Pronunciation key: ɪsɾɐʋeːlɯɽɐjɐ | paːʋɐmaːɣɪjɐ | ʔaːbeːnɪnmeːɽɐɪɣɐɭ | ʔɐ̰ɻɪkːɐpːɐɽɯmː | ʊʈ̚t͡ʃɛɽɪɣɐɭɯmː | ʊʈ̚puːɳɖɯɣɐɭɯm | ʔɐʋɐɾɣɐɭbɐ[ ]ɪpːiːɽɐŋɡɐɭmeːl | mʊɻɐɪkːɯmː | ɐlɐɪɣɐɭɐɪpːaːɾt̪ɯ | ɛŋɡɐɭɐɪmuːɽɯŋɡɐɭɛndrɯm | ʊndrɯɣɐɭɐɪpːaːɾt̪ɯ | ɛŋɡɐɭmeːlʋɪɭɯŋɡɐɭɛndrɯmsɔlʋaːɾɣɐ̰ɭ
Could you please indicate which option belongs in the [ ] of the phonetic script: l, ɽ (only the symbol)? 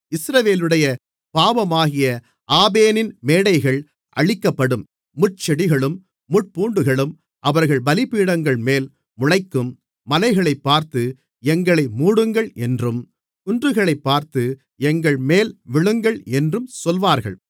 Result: l